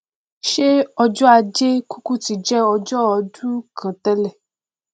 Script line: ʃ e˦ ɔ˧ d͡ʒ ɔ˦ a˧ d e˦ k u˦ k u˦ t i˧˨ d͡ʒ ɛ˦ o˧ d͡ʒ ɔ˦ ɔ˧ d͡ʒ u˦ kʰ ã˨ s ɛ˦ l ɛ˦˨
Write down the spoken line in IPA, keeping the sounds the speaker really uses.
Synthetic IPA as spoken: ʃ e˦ ɔ˧ d͡ʒ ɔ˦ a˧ d͡ʒ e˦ k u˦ k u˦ t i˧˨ d͡ʒ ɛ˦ ɔ˧ d͡ʒ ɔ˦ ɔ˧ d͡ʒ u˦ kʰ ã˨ t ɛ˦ l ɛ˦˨